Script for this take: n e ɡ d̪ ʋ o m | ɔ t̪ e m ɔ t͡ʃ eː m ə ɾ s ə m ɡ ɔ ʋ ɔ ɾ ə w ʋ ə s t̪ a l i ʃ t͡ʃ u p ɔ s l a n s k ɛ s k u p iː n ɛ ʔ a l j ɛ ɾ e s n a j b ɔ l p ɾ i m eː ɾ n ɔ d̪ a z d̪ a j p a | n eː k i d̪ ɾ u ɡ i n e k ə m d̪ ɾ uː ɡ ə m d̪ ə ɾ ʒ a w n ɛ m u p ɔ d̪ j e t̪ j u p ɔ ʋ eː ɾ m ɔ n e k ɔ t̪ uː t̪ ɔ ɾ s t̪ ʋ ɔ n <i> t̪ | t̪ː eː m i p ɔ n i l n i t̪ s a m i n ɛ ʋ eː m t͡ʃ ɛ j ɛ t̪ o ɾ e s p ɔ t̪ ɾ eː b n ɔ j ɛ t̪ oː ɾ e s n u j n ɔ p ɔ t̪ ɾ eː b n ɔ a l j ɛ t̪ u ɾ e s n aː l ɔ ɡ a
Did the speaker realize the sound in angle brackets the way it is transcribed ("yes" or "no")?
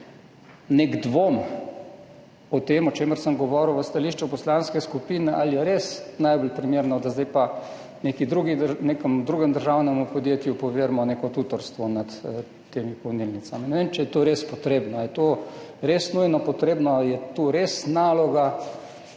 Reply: no